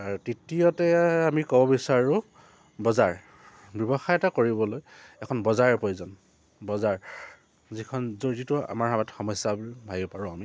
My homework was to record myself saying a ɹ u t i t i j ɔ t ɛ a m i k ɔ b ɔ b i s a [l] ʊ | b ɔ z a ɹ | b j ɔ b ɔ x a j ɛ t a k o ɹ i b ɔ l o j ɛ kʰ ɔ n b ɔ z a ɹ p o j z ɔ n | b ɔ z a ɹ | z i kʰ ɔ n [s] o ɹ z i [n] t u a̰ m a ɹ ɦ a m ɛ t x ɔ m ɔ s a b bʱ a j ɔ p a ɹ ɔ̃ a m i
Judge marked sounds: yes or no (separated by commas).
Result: no, no, no